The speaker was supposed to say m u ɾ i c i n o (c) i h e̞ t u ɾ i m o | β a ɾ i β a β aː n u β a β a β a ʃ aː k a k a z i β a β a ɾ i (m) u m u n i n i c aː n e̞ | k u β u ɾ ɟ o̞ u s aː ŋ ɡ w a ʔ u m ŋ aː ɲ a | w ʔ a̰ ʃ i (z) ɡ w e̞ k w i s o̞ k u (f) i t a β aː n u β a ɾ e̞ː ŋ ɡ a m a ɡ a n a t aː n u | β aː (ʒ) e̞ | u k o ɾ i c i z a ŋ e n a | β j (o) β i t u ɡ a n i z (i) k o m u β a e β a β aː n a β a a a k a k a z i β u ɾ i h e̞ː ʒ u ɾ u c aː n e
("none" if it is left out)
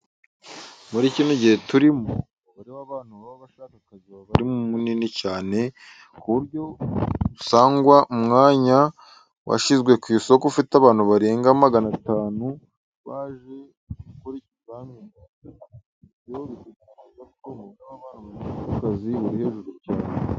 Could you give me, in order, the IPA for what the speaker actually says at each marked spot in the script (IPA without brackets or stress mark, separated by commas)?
ɟ, m, z, f, ʒ, o, a